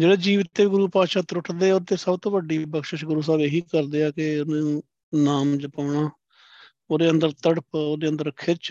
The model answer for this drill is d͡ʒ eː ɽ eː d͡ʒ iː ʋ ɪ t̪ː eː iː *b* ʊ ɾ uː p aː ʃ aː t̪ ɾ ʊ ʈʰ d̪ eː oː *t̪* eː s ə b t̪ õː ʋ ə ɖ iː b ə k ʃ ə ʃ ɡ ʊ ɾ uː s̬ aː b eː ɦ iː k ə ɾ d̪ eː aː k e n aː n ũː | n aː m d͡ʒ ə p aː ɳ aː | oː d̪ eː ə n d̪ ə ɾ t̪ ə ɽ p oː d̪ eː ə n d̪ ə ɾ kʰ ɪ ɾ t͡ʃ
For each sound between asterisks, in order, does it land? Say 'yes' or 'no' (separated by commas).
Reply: no, yes